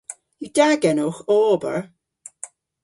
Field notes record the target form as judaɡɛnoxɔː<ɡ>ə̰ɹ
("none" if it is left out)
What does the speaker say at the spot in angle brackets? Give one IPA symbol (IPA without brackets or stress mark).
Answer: b